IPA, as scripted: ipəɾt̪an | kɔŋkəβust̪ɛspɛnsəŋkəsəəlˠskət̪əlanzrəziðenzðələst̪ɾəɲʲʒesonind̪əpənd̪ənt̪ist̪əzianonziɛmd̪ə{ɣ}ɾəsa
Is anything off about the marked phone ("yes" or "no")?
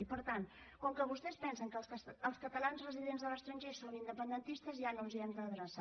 yes